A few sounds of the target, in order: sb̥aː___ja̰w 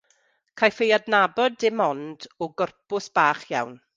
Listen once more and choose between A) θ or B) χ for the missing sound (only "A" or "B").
B